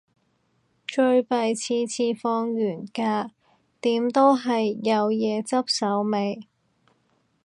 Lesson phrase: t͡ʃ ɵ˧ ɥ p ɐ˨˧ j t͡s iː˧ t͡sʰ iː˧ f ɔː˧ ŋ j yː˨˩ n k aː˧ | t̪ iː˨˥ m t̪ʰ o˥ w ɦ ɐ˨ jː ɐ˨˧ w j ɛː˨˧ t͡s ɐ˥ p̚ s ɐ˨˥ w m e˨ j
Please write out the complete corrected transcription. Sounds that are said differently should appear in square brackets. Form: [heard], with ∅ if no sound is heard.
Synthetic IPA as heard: t͡ʃ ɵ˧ ɥ p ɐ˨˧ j [t͡sʰ] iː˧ t͡sʰ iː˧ f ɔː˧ ŋ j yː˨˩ n k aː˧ | t̪ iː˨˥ m [t̪] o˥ w ɦ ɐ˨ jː ɐ˨˧ w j ɛː˨˧ t͡s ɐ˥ p̚ s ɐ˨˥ w m e˨ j